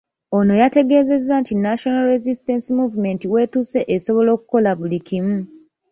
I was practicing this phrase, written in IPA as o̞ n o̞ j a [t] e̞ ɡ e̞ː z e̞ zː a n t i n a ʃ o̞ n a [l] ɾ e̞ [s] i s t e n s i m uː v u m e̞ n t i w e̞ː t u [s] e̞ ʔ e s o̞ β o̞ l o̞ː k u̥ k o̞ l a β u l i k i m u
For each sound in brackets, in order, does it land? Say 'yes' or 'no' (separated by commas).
yes, yes, no, yes